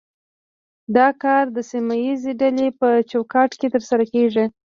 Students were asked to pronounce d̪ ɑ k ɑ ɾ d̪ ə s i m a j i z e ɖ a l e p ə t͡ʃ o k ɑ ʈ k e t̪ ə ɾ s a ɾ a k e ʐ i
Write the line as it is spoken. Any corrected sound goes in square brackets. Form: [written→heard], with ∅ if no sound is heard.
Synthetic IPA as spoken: d̪ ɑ k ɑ ɾ d̪ ə s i m a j i z e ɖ a l e p ə t͡ʃ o k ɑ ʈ k e t̪ ə ɾ s a ɾ a k e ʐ i